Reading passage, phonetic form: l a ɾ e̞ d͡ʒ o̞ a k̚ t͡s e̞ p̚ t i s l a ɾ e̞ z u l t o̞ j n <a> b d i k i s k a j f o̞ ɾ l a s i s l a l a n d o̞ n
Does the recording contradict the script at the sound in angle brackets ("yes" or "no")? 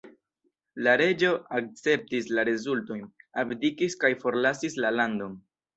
no